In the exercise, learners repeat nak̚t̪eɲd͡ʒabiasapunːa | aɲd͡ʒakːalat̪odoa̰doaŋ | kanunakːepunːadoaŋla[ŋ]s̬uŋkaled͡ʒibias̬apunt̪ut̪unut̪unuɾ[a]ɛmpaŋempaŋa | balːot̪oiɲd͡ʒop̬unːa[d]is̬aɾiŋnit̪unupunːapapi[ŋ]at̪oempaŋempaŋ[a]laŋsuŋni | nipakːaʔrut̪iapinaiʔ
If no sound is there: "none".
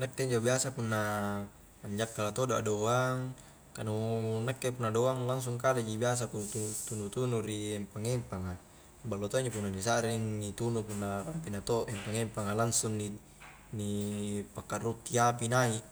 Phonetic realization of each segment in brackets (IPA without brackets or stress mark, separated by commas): ŋ, i, n, n, a